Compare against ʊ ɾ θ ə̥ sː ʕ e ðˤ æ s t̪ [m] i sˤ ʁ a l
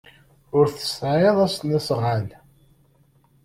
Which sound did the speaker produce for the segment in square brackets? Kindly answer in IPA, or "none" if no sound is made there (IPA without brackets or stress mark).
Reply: n